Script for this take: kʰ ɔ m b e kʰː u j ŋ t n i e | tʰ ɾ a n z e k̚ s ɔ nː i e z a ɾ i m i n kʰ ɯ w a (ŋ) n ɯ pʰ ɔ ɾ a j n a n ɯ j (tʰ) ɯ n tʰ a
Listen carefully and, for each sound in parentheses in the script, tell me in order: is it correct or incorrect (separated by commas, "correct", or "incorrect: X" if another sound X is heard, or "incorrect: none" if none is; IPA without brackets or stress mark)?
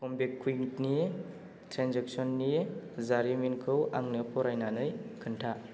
correct, incorrect: kʰ